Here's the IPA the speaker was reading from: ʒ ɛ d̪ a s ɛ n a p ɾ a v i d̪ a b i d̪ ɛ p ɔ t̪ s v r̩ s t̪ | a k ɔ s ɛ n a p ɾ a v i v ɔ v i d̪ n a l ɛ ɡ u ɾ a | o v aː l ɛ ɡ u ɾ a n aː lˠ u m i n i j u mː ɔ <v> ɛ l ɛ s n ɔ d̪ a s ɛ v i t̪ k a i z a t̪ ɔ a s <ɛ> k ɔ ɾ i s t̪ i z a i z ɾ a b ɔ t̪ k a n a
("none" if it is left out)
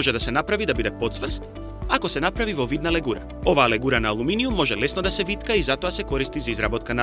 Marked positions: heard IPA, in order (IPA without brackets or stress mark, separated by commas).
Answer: ʒ, ɛ